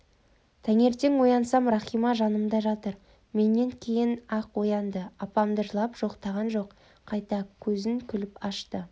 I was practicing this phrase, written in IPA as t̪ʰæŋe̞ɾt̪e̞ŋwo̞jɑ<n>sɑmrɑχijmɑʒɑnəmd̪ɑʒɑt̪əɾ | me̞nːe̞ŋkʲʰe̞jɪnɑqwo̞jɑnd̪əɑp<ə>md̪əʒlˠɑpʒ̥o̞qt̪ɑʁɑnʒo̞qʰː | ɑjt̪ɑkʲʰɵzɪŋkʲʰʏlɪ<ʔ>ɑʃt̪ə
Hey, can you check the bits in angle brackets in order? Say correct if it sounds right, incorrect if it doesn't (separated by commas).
correct, incorrect, incorrect